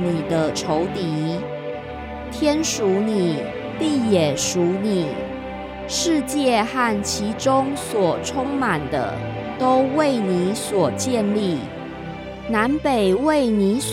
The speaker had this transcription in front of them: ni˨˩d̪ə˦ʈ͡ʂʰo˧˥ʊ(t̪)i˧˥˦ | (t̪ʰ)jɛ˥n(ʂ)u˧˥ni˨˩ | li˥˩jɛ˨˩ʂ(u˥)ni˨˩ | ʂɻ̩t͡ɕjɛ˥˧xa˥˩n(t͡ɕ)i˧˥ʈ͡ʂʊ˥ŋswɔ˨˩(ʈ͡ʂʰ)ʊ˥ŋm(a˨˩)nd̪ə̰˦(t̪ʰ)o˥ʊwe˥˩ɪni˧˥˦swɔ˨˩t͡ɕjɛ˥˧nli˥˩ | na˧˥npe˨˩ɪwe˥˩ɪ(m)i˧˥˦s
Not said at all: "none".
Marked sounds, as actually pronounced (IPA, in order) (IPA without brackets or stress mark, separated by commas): t̪, t̪ʰ, ʂ, u˧˥, t͡ɕʰ, ʈ͡ʂʰ, a˨˩, t̪, n